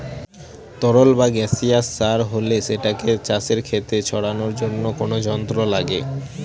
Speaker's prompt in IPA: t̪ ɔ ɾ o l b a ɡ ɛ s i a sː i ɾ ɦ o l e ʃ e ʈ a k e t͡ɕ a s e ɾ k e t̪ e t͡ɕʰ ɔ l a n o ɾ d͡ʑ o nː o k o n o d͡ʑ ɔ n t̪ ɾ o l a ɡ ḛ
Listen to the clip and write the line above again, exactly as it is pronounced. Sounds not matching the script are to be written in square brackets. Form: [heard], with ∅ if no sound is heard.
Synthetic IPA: t̪ ɔ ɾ o l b a ɡ ɛ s i a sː [a] ɾ ɦ o l e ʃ e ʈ a k e t͡ɕ a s e ɾ [kʰ] e t̪ e t͡ɕʰ ɔ [ɽ] a n o ɾ d͡ʑ o nː o k o n o d͡ʑ ɔ n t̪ ɾ o l a ɡ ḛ